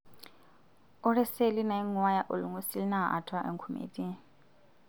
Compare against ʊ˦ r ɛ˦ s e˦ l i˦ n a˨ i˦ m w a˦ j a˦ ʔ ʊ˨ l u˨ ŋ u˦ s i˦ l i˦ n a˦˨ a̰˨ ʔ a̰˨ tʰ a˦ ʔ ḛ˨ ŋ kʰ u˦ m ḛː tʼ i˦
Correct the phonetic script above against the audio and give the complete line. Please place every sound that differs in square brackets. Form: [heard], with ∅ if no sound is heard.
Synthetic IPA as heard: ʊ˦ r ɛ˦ s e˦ l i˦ n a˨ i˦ [ŋ] w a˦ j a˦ ʔ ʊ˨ l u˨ ŋ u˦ s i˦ l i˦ n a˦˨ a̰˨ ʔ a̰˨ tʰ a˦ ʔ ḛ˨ ŋ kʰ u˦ m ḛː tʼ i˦